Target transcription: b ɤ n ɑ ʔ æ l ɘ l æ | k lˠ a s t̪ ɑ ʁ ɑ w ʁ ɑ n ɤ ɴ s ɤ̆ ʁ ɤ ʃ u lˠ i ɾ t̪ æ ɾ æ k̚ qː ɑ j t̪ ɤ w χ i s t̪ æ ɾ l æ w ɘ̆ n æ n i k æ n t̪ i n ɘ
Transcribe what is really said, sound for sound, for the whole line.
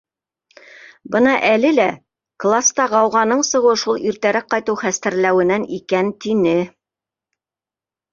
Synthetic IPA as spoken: b ɤ n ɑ ʔ æ l ɘ l æ | k lˠ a s t̪ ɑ ʁ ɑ w ʁ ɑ n ɤ ɴ s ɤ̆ ʁ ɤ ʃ u lˠ i ɾ t̪ æ ɾ æ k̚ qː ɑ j t̪ ɤ w χ æ s t̪ æ ɾ l æ w ɘ̆ n æ n i k æ n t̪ i n ɘ